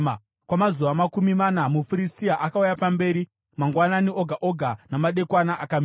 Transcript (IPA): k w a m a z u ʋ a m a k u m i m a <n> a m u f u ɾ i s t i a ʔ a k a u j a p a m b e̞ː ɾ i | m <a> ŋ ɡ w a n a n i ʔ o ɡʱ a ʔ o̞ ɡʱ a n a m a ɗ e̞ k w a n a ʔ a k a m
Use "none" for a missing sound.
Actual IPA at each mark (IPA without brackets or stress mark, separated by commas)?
n, a